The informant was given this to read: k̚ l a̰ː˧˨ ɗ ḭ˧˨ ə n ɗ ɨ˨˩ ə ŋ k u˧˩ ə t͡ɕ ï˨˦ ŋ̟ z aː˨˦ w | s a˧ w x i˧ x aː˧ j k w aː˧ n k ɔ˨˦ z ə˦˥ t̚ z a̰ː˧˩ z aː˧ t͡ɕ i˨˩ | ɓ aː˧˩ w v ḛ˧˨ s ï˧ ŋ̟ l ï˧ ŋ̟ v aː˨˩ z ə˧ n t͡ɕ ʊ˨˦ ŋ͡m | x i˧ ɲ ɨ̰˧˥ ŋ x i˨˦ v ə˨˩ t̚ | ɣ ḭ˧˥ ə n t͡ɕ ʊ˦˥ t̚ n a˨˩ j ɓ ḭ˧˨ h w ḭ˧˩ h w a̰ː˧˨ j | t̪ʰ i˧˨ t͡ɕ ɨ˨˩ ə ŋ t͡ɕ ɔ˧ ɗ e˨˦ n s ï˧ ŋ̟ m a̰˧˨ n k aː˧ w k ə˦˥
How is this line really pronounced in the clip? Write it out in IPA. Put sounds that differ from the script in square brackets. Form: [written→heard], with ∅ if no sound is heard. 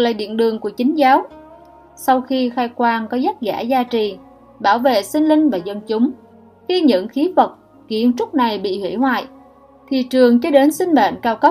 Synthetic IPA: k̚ l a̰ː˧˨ ɗ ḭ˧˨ ə n ɗ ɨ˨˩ ə ŋ k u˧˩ ə t͡ɕ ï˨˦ ŋ̟ z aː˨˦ w | s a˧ w x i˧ x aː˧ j k w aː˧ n k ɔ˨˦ z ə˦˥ t̚ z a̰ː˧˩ z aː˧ t͡ɕ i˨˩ | ɓ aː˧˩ w v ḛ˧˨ s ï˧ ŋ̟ l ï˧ ŋ̟ v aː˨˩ z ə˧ n t͡ɕ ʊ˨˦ ŋ͡m | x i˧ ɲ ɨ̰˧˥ ŋ x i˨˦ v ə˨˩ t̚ | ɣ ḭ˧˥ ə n t͡ɕ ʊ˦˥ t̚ n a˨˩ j ɓ ḭ˧˨ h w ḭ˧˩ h w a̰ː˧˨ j | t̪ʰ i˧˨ t͡ɕ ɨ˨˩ ə ŋ t͡ɕ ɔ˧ ɗ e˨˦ n s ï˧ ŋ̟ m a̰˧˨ n k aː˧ w k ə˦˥